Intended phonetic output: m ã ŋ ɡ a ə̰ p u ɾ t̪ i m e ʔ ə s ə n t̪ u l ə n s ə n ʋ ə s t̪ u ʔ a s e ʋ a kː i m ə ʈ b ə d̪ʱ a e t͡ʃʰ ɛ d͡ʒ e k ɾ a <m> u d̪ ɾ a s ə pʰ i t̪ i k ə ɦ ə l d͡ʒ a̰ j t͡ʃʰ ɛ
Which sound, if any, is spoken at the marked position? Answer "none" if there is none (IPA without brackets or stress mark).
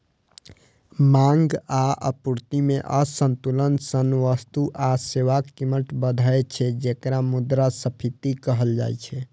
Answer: m